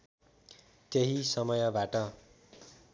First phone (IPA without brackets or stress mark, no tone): t̪